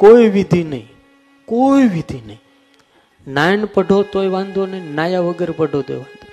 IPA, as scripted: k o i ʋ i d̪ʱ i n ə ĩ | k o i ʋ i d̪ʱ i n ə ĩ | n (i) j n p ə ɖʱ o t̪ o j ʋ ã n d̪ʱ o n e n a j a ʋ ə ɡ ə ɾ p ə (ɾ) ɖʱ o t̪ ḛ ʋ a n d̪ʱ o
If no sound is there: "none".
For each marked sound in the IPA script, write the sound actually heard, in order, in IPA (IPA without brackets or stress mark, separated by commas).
a, none